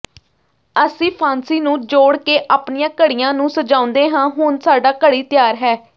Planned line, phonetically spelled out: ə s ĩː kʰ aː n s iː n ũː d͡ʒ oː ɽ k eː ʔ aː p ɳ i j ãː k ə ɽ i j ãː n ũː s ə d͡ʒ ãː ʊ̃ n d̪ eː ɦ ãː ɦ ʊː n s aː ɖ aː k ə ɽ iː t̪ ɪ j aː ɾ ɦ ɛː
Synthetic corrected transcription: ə s ĩː pʰ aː n s iː n ũː d͡ʒ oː ɽ k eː ʔ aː p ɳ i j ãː k ə ɽ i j ãː n ũː s ə d͡ʒ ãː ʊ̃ n d̪ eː ɦ ãː ɦ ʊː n s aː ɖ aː k ə ɽ iː t̪ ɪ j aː ɾ ɦ ɛː